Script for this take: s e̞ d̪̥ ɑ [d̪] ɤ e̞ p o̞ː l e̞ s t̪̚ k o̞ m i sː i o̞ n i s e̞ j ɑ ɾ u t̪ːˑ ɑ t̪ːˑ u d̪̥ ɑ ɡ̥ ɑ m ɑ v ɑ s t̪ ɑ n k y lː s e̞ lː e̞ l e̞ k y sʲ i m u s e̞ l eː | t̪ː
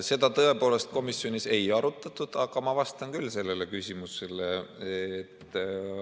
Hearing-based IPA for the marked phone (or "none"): t̪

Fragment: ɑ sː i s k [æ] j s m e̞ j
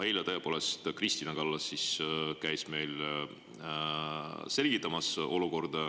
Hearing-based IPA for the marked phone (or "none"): æ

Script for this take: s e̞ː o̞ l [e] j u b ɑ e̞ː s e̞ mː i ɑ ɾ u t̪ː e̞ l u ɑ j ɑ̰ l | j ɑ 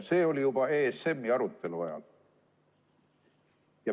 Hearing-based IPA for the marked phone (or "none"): i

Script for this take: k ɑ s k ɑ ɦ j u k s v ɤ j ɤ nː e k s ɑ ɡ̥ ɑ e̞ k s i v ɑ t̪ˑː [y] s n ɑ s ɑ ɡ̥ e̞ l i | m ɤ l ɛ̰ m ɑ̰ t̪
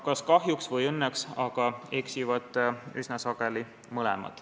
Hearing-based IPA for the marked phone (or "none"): y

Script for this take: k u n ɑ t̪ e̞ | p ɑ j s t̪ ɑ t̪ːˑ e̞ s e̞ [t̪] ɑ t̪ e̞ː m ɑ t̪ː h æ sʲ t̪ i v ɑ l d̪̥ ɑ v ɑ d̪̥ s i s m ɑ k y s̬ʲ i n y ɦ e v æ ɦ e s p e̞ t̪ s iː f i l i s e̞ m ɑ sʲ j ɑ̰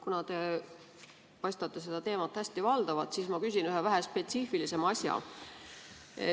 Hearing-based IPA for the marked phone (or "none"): d̪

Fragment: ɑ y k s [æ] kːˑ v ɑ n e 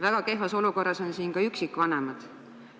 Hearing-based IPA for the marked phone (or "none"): i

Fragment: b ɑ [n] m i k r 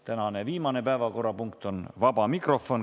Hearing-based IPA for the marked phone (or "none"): none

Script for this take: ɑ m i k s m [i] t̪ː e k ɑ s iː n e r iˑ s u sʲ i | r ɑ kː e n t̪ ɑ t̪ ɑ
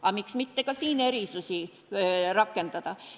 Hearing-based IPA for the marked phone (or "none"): i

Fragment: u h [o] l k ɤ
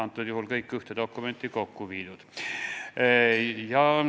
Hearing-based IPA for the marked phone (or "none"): u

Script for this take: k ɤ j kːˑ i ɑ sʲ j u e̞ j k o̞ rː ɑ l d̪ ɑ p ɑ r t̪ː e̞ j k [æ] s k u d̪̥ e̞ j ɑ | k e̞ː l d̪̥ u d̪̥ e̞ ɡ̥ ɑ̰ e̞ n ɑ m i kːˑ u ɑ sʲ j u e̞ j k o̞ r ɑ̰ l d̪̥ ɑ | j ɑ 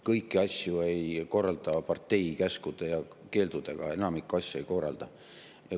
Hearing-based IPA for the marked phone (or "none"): æ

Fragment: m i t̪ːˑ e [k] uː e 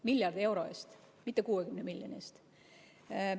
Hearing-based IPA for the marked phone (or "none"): k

